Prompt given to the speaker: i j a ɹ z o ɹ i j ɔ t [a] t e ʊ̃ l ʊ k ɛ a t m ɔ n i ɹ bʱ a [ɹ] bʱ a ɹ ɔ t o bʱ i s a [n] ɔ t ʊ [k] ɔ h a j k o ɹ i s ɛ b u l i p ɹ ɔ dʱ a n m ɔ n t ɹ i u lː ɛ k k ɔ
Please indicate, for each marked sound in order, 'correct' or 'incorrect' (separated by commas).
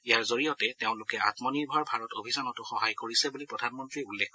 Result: incorrect, correct, correct, incorrect